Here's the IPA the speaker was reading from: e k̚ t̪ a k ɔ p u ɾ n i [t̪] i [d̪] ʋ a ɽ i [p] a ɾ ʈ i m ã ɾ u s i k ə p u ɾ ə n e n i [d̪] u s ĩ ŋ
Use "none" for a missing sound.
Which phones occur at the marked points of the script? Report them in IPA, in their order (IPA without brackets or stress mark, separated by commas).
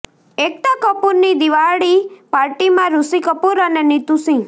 d̪, none, p, t̪